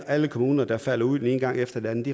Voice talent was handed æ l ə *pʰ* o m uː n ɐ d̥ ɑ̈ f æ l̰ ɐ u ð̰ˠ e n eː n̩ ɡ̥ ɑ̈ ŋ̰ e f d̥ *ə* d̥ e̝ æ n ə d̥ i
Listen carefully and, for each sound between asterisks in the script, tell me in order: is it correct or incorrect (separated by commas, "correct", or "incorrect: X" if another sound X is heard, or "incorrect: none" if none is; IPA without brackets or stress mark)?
incorrect: kʰ, incorrect: ɐ